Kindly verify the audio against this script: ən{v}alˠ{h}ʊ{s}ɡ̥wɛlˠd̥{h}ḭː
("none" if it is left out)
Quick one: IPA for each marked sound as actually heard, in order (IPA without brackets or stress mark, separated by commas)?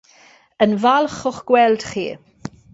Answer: v, χ, χ, χ